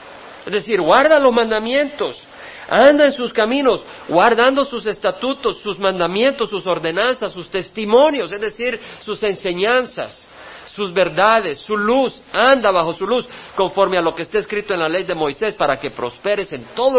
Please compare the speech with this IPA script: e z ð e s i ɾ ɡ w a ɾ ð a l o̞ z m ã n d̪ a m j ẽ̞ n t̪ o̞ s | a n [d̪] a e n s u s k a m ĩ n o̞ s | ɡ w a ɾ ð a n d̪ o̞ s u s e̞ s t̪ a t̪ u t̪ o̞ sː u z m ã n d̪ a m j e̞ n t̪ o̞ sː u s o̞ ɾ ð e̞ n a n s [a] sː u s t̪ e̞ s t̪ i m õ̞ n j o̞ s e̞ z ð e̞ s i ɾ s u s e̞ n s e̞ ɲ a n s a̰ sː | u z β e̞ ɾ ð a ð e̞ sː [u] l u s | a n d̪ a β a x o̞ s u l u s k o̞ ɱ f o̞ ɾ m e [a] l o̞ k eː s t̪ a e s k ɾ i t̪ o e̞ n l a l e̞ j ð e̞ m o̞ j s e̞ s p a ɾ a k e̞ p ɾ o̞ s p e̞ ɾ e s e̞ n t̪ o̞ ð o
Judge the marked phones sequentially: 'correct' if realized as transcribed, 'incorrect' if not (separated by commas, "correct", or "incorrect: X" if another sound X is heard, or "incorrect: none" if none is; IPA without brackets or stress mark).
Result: correct, correct, correct, correct